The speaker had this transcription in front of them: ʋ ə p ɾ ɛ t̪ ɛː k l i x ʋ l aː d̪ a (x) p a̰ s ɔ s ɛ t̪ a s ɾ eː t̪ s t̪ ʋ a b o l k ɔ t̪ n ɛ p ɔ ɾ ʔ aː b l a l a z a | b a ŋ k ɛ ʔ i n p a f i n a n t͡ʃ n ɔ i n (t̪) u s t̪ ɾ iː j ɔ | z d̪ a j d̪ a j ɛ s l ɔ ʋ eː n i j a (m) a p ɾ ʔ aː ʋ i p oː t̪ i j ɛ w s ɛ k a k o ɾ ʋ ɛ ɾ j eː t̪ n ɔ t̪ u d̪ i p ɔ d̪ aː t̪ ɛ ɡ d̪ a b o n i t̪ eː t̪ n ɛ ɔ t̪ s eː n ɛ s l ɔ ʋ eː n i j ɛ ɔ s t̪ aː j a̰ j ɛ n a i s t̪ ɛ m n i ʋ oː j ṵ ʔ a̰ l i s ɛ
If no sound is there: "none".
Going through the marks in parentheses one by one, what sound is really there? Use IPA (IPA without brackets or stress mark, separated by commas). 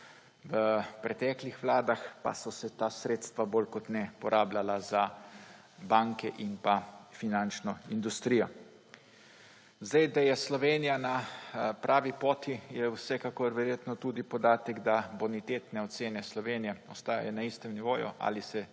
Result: x, d̪, n